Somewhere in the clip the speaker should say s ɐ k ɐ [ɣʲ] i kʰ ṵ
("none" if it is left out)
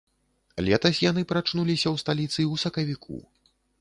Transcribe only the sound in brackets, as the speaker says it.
vʲ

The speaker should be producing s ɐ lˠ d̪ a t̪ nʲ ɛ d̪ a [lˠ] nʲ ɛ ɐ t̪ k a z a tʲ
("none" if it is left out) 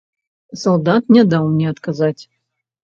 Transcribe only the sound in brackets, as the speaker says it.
lˠ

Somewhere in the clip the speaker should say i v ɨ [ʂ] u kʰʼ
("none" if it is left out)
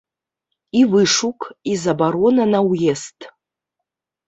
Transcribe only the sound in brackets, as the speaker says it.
ʂ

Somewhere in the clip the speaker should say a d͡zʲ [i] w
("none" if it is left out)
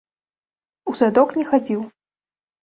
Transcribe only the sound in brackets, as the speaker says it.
i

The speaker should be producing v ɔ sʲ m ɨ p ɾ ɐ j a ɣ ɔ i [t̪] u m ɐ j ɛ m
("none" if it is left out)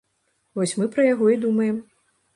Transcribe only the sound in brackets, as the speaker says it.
d̪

